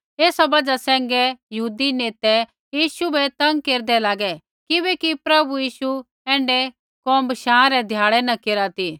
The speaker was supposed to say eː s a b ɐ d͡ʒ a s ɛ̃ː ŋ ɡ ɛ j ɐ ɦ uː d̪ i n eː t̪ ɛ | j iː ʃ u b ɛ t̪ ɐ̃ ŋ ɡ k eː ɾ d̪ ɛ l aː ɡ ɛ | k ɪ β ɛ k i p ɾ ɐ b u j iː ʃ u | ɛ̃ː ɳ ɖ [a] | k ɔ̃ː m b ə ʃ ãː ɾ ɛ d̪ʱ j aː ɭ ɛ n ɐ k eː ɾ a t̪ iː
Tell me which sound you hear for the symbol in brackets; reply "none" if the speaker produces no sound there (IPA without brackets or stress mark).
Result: ɛ